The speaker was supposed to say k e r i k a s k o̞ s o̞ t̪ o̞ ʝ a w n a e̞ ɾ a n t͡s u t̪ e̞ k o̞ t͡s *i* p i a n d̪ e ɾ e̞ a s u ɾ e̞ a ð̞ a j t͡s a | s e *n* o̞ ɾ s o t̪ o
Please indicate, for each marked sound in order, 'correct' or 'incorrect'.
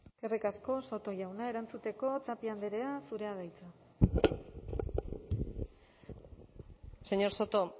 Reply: incorrect: a, incorrect: ɲ

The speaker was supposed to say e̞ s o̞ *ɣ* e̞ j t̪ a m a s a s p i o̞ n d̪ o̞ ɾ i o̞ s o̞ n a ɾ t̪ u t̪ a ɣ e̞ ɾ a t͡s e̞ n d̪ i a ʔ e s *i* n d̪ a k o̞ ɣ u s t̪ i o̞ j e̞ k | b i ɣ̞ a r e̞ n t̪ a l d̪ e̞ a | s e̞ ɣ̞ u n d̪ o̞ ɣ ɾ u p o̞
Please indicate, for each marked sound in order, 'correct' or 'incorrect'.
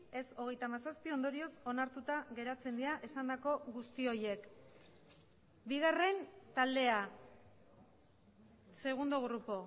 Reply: correct, incorrect: a

